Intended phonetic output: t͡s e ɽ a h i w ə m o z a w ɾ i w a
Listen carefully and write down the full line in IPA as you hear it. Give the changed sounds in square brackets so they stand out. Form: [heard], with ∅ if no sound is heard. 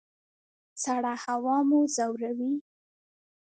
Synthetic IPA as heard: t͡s [a] ɽ a h [a] w [ɑ] m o z a w ɾ [a] w [i]